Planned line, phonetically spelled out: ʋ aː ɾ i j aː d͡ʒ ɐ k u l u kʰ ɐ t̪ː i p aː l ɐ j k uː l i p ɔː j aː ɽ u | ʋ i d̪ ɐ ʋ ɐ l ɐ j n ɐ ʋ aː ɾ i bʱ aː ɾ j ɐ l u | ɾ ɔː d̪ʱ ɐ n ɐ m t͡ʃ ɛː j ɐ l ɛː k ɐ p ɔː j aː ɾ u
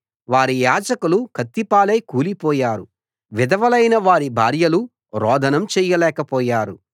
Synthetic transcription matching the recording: ʋ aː ɾ i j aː d͡ʒ ɐ k u l u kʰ ɐ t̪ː i p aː l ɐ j k uː l i p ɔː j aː ɾ u | ʋ i d̪ ɐ ʋ ɐ l ɐ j n ɐ ʋ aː ɾ i bʱ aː ɾ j ɐ l u | ɾ ɔː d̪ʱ ɐ n ɐ m t͡ʃ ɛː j ɐ l ɛː k ɐ p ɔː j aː ɾ u